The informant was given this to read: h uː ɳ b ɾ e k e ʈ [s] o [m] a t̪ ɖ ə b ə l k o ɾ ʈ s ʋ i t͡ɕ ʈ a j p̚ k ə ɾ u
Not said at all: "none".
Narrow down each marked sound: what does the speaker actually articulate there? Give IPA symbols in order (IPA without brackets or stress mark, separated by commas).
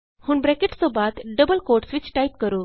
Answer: s, b